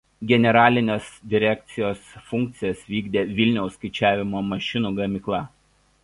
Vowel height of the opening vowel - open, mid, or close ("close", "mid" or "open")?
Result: mid